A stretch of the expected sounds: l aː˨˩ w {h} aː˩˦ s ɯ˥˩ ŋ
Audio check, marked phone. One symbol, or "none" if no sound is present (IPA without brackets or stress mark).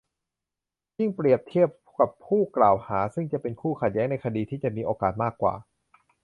h